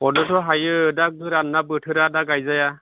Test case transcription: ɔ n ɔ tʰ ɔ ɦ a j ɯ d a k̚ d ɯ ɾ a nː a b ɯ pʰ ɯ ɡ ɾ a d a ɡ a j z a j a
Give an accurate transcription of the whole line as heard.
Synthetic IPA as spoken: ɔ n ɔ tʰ ɔ ɦ a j ɯ d a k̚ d ɯ ɾ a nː a b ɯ tʰ ɯ ɾ a d a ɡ a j z a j a